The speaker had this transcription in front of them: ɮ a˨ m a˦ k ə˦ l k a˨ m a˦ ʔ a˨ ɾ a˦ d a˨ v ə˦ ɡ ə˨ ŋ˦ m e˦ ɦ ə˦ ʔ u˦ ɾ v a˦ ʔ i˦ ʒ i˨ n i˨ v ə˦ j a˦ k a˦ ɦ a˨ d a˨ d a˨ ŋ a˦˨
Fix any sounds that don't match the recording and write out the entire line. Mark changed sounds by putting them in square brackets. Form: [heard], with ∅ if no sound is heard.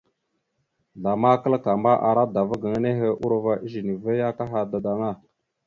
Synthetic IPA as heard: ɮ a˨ m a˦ k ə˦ l k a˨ m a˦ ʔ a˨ ɾ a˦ d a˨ v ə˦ ɡ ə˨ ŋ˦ [n] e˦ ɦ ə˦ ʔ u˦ ɾ v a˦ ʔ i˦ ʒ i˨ n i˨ v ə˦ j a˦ k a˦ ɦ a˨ d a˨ d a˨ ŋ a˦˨